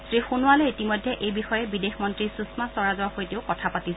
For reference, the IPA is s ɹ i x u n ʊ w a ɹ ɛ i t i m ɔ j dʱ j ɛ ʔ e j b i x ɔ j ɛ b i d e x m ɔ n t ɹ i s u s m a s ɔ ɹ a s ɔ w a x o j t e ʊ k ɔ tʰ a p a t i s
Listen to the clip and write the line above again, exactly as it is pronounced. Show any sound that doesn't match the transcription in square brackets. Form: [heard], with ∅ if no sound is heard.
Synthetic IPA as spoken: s ɹ i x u n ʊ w a [l] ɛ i t i m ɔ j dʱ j ɛ ʔ e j b i x ɔ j ɛ b i d e x m ɔ n t ɹ i s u s m a s ɔ ɹ a [z] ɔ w a x o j t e ʊ k ɔ tʰ a p a t i s